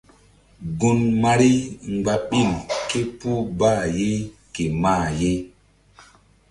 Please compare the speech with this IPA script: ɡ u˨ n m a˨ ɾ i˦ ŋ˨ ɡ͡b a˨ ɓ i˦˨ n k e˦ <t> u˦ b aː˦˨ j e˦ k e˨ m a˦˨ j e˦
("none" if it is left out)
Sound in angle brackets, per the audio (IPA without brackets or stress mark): p